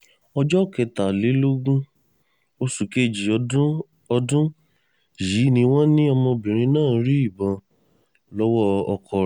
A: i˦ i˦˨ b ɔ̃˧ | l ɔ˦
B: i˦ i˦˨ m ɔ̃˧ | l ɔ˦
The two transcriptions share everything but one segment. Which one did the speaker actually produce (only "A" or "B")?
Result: A